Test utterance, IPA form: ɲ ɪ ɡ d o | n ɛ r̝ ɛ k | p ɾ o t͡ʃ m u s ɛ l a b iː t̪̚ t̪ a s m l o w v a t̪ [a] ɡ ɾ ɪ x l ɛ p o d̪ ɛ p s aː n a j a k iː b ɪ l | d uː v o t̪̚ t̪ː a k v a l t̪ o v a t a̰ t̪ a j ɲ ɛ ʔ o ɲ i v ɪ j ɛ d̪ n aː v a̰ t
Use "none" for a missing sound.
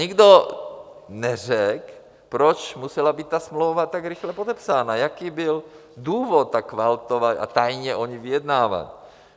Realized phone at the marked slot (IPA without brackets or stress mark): a